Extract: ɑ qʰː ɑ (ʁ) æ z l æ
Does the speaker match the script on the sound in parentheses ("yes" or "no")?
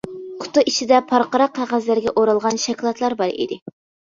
yes